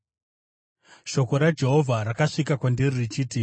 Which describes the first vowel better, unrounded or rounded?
rounded